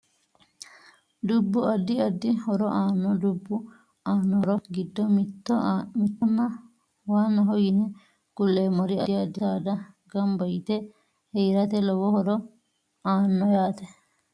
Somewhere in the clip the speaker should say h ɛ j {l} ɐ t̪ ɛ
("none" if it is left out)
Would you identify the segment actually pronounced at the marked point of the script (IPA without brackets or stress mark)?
ɾ